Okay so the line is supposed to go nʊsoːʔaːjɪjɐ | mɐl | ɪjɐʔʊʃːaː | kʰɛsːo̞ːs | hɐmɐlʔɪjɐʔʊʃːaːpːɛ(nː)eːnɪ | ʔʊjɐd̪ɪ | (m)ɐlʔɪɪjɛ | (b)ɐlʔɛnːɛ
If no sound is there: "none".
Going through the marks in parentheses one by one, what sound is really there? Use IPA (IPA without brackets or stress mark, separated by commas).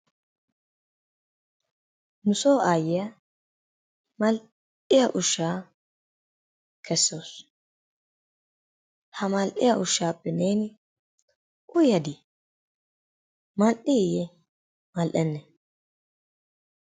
n, m, m